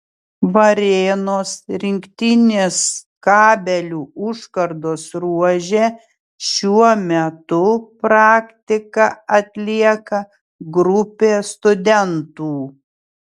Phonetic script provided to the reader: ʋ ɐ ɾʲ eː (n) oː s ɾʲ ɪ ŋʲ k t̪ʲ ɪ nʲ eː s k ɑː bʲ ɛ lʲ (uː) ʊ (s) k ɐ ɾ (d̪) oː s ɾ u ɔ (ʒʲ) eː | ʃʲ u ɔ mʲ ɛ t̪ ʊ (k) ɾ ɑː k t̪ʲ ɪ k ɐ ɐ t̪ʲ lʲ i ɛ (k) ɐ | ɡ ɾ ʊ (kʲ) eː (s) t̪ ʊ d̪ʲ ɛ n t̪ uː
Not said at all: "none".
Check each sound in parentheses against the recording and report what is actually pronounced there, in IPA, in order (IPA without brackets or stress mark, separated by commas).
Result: n, uː, ʃ, d̪, ʒʲ, p, k, pʲ, s